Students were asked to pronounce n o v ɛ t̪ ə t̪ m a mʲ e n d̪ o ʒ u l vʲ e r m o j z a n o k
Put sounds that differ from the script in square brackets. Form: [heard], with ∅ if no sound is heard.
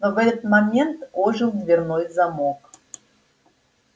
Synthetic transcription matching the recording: n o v ɛ t̪ ə t̪ m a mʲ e n [t̪] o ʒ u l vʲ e r [n] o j z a [m] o k